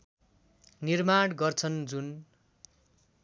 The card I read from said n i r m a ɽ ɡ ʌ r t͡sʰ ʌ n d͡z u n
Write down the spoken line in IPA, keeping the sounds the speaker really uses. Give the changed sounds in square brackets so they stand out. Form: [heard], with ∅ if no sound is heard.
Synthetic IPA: n i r m a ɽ ɡ ʌ r t͡sʰ ʌ n d͡z u n